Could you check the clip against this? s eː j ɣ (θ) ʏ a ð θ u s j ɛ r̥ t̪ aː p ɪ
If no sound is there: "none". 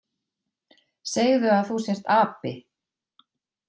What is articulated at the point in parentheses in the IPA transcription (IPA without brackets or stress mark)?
ð